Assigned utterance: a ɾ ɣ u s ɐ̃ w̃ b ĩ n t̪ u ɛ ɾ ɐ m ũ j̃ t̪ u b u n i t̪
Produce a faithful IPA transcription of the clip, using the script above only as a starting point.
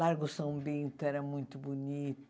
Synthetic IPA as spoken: a ɾ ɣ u s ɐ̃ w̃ b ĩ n t̪ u ɛ ɾ ɐ m ũ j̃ t̪ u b u n i t̪